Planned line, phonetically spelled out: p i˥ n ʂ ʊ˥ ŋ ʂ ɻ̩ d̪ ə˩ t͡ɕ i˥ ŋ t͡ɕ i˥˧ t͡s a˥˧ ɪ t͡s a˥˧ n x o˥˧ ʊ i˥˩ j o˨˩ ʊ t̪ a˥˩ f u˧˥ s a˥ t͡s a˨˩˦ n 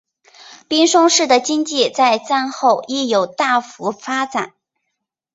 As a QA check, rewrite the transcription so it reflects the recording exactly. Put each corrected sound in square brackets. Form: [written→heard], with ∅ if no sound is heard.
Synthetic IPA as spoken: p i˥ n ʂ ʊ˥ ŋ ʂ ɻ̩ d̪ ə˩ t͡ɕ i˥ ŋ t͡ɕ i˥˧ t͡s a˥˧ ɪ t͡s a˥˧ n x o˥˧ ʊ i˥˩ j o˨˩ ʊ t̪ a˥˩ f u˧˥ [s→f] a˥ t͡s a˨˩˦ n

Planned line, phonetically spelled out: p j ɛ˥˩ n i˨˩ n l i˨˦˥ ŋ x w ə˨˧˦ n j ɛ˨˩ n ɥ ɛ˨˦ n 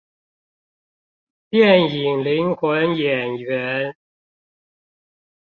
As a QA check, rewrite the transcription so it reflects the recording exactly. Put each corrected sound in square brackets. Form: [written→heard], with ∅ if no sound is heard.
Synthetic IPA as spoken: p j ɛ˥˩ n i˨˩ [n→ŋ] l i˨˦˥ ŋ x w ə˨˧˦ n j ɛ˨˩ n ɥ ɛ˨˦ n

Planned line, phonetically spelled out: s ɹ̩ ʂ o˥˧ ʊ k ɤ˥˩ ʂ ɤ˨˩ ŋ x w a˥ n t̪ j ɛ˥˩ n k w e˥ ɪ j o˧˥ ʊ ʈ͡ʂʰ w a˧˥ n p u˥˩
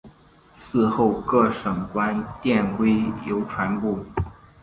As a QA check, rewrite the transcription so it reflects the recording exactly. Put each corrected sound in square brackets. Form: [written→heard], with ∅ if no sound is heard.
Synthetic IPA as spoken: s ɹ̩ [ʂ→x] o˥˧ ʊ k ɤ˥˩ ʂ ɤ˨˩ ŋ [x→k] w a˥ n t̪ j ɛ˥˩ n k w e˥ ɪ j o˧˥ ʊ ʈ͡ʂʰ w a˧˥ n p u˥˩

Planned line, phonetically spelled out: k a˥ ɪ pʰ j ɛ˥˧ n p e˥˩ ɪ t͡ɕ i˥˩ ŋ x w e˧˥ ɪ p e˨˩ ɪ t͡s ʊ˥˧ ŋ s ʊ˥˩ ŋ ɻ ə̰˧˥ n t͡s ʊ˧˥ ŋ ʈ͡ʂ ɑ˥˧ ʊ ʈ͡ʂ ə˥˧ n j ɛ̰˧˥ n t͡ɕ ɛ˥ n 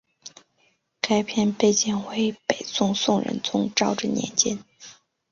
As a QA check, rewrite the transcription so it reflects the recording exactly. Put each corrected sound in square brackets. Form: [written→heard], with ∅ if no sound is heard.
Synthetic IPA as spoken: k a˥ ɪ pʰ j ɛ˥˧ n p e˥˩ ɪ t͡ɕ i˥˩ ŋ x w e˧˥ ɪ p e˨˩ ɪ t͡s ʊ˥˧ ŋ s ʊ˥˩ ŋ ɻ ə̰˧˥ n t͡s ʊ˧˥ ŋ ʈ͡ʂ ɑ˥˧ ʊ ʈ͡ʂ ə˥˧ n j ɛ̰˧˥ n t͡ɕ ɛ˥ n

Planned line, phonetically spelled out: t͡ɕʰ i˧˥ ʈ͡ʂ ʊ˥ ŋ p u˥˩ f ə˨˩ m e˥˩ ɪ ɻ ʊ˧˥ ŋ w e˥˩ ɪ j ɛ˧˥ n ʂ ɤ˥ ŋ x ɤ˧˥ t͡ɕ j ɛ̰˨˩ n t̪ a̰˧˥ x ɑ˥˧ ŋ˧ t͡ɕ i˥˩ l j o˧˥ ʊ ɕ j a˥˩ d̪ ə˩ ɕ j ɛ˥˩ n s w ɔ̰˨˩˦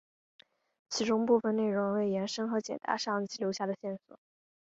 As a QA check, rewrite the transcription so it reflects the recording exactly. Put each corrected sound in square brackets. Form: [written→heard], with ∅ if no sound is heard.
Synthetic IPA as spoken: t͡ɕʰ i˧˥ ʈ͡ʂ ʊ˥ ŋ p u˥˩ f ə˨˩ [m→n] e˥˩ ɪ ɻ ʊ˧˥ ŋ w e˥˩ ɪ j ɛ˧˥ n ʂ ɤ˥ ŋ x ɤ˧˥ t͡ɕ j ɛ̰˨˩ n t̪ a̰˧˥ [x→ʂ] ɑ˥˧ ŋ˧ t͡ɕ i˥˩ l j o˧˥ ʊ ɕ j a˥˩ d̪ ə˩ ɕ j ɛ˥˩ n s w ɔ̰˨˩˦

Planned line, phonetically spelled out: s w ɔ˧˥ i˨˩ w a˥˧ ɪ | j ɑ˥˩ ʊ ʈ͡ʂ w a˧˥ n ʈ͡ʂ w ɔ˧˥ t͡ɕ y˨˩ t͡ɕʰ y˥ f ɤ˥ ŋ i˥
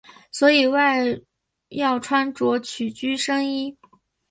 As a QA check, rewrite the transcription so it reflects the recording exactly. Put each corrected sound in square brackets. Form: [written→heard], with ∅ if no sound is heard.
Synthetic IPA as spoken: s w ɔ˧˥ i˨˩ w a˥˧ ɪ | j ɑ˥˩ ʊ [ʈ͡ʂ→ʈ͡ʂʰ] w [a˧˥→a˥] n ʈ͡ʂ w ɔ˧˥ [t͡ɕ→t͡ɕʰ] y˨˩ [t͡ɕʰ→t͡ɕ] y˥ [f→ʂ] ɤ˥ ŋ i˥

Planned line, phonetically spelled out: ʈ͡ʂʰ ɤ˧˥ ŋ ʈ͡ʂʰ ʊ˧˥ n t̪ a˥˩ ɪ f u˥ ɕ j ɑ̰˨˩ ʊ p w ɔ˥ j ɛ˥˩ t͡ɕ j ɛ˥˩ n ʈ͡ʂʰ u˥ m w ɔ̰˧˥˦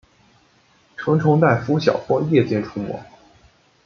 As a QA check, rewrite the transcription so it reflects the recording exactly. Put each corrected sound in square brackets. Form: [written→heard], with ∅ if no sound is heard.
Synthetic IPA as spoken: ʈ͡ʂʰ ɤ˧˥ ŋ ʈ͡ʂʰ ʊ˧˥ [n→ŋ] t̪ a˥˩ ɪ f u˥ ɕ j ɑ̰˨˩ ʊ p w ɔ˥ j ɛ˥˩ t͡ɕ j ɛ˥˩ n ʈ͡ʂʰ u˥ m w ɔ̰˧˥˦

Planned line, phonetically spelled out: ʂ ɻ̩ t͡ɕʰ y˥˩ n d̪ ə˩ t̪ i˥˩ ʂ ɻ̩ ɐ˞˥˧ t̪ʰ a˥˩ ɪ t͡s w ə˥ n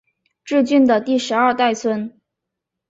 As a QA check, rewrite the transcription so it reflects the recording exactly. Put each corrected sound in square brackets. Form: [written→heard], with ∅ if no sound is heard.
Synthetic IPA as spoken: [ʂ→ʈ͡ʂ] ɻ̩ [t͡ɕʰ→t͡ɕ] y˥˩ n d̪ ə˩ t̪ i˥˩ ʂ ɻ̩ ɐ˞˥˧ [t̪ʰ→t̪] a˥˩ ɪ [t͡s→t͡sʰ] w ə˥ n

